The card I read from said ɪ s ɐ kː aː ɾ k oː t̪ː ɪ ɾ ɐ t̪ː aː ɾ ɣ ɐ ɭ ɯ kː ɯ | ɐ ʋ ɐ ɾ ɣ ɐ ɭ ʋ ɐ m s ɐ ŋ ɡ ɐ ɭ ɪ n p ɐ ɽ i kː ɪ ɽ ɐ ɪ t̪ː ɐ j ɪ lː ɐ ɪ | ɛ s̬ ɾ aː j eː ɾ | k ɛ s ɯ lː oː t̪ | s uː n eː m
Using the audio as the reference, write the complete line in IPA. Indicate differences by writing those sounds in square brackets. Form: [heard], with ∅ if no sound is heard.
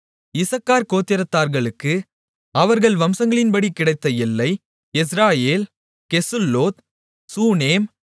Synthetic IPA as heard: ɪ s ɐ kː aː ɾ k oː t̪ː ɪ ɾ ɐ t̪ː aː ɾ ɣ ɐ ɭ ɯ kː ɯ | ɐ ʋ ɐ ɾ ɣ ɐ ɭ ʋ ɐ m s ɐ ŋ ɡ ɐ ɭ ɪ n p ɐ ɽ i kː ɪ ɽ ɐ ɪ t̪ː ɐ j ɪ lː ɐ ɪ | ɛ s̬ ɾ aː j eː [l] | k ɛ s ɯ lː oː t̪ | s uː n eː m

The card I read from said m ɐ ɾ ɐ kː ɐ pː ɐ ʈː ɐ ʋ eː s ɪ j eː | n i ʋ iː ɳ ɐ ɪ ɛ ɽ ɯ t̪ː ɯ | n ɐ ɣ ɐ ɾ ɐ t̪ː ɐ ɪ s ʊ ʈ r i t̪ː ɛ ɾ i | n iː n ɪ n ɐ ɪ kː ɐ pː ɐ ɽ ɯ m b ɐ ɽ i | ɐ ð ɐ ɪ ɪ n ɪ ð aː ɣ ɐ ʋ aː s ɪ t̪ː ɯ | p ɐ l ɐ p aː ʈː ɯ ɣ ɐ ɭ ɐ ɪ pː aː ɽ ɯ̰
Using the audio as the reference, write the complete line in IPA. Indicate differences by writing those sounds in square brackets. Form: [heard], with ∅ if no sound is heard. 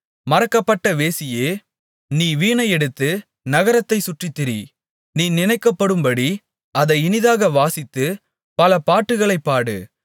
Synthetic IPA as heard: m ɐ ɾ ɐ kː ɐ pː ɐ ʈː ɐ ʋ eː s ɪ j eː | n [iː] ʋ iː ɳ ɐ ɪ ɛ ɽ ɯ t̪ː ɯ | n ɐ ɣ ɐ ɾ ɐ t̪ː ɐ ɪ s ʊ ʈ r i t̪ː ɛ ɾ i | n iː n ɪ n ɐ ɪ kː ɐ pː ɐ ɽ ɯ m b ɐ ɽ i | ɐ ð ɐ ɪ ɪ n ɪ ð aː ɣ ɐ ʋ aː s ɪ t̪ː ɯ | p ɐ l ɐ p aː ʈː ɯ ɣ ɐ ɭ ɐ ɪ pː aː ɽ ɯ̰

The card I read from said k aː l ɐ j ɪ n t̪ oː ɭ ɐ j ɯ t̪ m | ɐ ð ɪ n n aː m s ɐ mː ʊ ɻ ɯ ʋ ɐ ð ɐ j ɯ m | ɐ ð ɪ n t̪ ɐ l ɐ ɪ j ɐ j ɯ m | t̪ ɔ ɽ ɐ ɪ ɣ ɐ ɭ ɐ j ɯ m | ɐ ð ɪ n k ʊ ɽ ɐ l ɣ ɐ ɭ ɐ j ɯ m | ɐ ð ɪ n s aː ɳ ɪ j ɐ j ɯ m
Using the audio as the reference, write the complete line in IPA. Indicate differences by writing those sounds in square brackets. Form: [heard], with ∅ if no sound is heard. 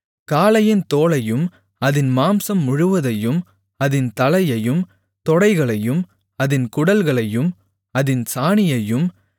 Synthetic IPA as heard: k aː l ɐ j ɪ n t̪ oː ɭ ɐ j ɯ [∅] m | ɐ ð ɪ n [m] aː m s ɐ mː ʊ ɻ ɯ ʋ ɐ ð ɐ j ɯ m | ɐ ð ɪ n t̪ ɐ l ɐ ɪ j ɐ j ɯ m | t̪ ɔ ɽ ɐ ɪ ɣ ɐ ɭ ɐ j ɯ m | ɐ ð ɪ n k ʊ ɽ ɐ l ɣ ɐ ɭ ɐ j ɯ m | ɐ ð ɪ n s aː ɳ ɪ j ɐ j ɯ m

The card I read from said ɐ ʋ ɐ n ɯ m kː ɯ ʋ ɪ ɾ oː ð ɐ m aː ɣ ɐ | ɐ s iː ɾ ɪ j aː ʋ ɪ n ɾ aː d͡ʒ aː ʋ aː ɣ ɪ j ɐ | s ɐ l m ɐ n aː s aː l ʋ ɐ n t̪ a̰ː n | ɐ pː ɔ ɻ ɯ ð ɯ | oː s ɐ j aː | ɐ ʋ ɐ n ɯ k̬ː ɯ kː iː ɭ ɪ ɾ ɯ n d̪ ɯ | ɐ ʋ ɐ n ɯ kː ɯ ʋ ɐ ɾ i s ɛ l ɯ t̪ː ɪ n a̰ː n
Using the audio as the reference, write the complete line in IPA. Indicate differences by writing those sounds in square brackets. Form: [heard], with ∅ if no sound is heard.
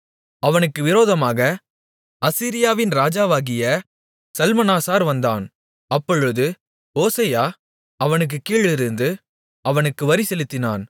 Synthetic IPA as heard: ɐ ʋ ɐ n ɯ [∅] kː ɯ ʋ ɪ ɾ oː ð ɐ m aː ɣ ɐ | ɐ s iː ɾ ɪ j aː ʋ ɪ n ɾ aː d͡ʒ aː ʋ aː ɣ ɪ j ɐ | s ɐ l m ɐ n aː s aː [ɾ] ʋ ɐ n [d̪] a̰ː n | ɐ pː ɔ ɻ ɯ ð ɯ | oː s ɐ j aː | ɐ ʋ ɐ n ɯ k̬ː ɯ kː iː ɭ ɪ ɾ ɯ n d̪ ɯ | ɐ ʋ ɐ n ɯ kː ɯ ʋ ɐ ɾ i s ɛ l ɯ t̪ː ɪ n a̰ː n

